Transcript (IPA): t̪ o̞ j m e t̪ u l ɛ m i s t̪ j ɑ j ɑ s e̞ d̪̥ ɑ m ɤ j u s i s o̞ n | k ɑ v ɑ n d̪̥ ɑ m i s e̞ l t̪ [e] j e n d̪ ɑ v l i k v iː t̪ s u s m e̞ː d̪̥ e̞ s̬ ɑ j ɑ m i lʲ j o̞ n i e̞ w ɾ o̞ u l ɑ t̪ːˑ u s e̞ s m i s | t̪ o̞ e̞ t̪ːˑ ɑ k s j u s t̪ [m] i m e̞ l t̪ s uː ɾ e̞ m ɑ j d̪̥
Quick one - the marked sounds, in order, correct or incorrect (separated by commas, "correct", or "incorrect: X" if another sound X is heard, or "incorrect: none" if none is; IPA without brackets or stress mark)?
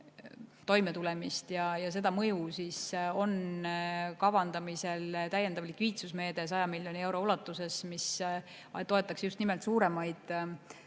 incorrect: æ, incorrect: n